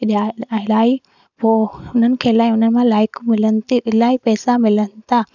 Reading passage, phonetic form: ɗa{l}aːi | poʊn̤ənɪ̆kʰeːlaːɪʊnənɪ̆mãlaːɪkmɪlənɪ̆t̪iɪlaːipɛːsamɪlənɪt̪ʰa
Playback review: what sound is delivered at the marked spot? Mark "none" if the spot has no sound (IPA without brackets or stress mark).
l